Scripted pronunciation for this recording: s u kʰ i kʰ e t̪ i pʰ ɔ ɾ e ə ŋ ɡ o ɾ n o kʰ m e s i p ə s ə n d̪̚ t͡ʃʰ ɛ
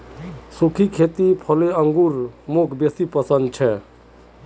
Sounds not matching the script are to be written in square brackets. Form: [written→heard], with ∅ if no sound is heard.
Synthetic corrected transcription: s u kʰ i kʰ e t̪ i pʰ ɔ [ɾ→l] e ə ŋ ɡ [o→u] ɾ [n→m] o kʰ [m→b] e s i p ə s ə n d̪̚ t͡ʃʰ ɛ